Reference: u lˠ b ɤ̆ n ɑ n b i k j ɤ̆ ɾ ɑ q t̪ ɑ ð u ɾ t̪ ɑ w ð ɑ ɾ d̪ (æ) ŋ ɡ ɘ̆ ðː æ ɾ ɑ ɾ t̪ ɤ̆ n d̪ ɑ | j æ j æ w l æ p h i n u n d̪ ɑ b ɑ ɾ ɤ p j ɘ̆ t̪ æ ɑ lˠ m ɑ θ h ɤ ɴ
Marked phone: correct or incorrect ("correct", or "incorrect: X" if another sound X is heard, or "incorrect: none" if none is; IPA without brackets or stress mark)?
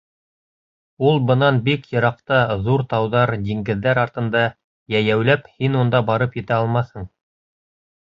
incorrect: i